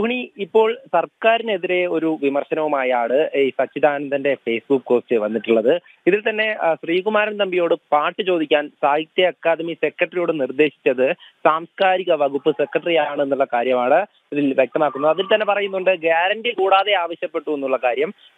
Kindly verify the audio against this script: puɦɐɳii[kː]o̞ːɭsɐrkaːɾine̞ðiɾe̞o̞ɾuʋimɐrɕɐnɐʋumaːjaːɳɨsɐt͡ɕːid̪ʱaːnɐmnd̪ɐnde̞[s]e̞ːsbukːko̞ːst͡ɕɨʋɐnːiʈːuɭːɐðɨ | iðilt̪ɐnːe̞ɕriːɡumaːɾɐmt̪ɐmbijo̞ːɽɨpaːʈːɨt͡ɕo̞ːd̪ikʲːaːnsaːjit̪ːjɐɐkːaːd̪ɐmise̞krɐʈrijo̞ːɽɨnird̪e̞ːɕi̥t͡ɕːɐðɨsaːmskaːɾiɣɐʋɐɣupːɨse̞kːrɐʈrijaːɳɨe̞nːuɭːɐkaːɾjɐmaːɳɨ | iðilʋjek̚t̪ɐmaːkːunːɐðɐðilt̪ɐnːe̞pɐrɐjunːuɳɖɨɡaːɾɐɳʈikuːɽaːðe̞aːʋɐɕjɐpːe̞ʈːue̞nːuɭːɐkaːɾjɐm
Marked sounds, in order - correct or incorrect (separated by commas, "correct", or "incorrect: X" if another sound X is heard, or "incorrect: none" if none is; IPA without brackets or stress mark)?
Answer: incorrect: pː, incorrect: f